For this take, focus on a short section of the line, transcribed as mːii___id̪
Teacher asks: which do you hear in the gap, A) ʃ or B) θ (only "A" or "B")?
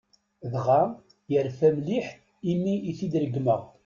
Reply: B